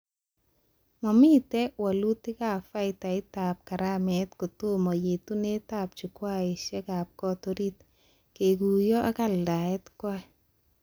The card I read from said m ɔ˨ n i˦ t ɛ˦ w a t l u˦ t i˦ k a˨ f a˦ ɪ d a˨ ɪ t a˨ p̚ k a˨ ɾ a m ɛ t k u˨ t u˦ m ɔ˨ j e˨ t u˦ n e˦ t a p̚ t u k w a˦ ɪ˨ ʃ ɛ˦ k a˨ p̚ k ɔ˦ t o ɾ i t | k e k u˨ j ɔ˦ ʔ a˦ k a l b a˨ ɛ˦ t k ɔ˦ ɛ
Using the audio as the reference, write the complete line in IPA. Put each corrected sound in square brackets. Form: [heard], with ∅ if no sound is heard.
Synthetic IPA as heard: m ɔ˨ [m] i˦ t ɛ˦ w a [∅] l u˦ t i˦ k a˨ f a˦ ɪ [t] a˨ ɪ t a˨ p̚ k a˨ ɾ a m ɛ t k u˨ t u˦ m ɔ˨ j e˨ t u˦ n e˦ t a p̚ [t͡ʃ] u k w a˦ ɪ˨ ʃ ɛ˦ k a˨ p̚ k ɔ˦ t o ɾ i t | k e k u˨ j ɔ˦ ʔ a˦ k a l [d] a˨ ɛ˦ t k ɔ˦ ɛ

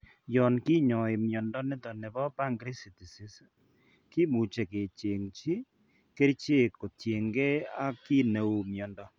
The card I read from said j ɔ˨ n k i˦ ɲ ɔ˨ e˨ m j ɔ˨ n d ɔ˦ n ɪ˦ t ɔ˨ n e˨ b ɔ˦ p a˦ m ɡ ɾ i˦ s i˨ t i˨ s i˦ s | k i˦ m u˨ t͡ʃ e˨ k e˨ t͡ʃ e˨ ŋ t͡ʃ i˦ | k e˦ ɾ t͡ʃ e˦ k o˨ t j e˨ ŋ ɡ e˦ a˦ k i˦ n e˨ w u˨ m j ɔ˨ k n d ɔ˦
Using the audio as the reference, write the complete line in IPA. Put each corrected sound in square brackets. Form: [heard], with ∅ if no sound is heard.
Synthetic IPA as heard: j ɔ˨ n k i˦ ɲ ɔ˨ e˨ m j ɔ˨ n d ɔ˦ n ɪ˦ t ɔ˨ n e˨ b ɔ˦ p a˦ [ŋ] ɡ ɾ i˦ s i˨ t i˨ s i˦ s | k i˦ m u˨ t͡ʃ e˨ k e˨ t͡ʃ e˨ ŋ t͡ʃ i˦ | k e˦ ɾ t͡ʃ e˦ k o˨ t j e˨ ŋ ɡ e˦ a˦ k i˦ n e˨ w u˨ m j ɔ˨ [∅] n d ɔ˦

